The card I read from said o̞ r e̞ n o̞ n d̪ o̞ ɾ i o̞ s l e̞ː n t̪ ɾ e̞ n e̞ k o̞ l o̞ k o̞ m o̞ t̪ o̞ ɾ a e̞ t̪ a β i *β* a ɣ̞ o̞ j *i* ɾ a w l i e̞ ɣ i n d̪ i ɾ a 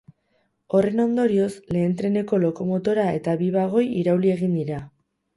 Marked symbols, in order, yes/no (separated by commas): yes, yes